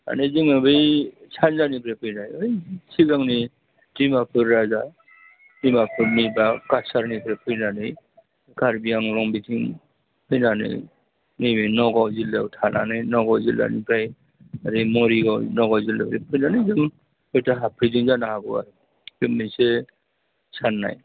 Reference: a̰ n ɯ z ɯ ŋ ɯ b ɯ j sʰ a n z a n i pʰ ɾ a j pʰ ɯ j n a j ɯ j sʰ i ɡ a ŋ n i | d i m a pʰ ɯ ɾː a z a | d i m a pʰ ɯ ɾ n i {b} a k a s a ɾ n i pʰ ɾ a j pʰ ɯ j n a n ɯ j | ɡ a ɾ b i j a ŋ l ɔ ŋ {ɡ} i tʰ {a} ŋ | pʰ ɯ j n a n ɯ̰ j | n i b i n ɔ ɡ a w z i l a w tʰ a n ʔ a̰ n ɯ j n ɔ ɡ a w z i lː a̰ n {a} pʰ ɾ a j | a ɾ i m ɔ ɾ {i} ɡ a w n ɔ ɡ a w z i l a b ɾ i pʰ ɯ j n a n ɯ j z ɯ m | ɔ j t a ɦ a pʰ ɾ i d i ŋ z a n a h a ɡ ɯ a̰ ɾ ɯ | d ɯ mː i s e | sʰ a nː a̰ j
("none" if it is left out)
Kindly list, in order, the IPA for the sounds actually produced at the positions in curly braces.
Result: b, b, i, i, i

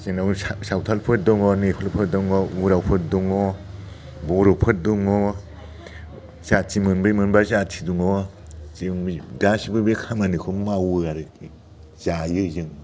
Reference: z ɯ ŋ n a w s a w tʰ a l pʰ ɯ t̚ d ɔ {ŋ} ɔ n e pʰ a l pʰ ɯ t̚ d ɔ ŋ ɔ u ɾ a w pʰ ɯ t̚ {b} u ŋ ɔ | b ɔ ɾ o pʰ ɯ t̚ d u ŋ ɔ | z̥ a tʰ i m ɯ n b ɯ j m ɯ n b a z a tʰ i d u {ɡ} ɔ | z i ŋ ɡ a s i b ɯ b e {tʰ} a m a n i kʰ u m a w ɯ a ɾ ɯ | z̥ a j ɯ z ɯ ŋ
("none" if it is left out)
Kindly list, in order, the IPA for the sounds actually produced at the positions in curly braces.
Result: ŋ, d, ŋ, kʰ

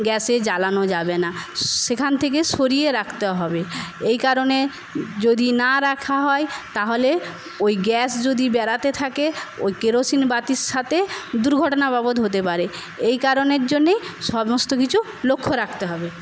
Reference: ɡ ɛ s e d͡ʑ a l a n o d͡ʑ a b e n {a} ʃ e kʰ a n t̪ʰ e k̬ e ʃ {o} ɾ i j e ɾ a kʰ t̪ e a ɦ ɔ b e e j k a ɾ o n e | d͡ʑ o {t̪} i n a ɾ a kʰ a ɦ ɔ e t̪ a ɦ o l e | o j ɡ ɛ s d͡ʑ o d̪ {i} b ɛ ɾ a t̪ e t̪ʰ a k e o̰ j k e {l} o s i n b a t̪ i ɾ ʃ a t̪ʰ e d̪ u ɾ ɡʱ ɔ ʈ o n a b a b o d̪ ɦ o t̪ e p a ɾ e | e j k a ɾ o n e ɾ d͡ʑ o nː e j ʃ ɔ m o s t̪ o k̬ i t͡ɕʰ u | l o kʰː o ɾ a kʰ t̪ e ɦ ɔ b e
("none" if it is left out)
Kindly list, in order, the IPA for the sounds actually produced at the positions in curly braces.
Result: a, o, d̪, i, ɾ

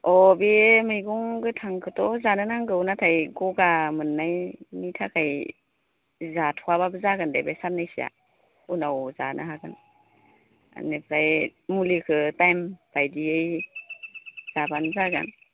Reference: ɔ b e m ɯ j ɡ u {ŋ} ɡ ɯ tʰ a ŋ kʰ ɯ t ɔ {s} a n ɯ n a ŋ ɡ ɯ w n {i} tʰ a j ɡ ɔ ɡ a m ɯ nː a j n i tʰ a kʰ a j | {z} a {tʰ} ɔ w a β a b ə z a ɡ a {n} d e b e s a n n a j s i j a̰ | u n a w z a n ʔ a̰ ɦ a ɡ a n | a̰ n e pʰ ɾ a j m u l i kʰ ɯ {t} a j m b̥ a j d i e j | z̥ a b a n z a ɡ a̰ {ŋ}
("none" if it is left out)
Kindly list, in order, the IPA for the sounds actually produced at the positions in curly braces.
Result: ŋ, z, a, z, tʰ, n, t, n

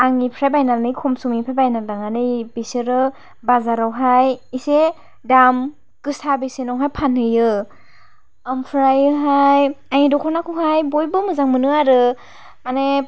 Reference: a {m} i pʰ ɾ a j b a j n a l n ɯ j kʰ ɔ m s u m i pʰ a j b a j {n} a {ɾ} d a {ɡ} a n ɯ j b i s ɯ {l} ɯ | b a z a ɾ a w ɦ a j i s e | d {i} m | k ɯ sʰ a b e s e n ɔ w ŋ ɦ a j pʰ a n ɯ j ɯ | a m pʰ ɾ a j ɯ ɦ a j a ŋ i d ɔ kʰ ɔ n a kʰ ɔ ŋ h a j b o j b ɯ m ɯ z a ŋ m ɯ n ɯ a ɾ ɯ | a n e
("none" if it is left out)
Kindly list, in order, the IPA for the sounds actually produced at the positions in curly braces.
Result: ŋ, n, l, ŋ, ɾ, a

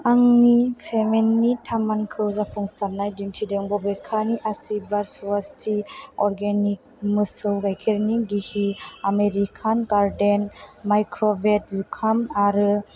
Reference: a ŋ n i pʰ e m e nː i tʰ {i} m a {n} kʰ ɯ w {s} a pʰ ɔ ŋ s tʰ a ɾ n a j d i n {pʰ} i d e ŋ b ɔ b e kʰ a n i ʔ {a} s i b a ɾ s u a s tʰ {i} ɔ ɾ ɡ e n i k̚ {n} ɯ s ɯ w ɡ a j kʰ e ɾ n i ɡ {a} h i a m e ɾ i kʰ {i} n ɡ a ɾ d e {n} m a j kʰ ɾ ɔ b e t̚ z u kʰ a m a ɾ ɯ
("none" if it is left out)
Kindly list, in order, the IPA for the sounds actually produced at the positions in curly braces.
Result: a, n, z, tʰ, a, i, m, i, a, n

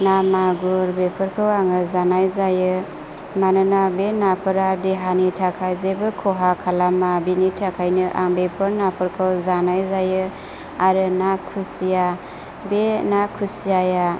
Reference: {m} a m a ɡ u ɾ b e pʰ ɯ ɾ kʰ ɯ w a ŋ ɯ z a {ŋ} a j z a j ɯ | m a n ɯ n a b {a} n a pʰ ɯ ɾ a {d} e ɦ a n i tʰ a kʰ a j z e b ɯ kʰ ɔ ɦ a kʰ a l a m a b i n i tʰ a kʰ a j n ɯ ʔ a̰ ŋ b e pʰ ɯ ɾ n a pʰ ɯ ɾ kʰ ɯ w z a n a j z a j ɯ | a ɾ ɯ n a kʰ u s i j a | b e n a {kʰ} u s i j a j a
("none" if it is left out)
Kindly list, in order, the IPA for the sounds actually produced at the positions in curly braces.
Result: n, n, e, d, kʰ

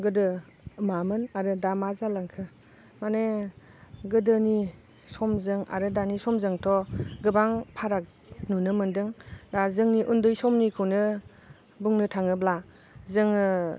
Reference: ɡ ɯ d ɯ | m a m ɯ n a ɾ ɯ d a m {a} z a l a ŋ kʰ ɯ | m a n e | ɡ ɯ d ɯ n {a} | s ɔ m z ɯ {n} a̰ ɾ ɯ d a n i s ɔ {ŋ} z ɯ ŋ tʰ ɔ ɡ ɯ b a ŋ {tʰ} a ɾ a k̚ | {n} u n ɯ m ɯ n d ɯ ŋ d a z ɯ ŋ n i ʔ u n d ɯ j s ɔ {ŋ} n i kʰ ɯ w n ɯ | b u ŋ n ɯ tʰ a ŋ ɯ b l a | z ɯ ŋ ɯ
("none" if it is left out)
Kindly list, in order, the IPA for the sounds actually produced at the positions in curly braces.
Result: a, i, ŋ, m, pʰ, n, m

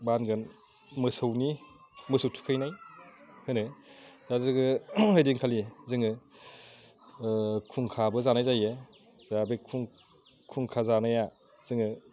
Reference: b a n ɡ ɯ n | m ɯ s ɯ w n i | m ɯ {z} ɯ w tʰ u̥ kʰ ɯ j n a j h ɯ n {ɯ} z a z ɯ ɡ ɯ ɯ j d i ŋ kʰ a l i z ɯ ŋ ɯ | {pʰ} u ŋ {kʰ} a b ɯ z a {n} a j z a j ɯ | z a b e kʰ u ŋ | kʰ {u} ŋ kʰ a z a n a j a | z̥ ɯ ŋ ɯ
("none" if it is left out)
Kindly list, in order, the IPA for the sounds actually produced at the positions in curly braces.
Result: s, ɯ, kʰ, kʰ, n, u

